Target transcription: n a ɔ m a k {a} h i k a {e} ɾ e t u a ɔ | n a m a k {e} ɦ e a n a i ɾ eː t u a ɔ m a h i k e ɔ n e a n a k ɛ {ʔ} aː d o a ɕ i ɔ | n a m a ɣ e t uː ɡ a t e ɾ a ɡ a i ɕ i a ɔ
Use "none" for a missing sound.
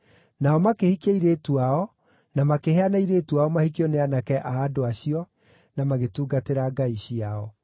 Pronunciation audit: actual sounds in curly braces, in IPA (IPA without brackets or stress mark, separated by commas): e, i, e, ʔ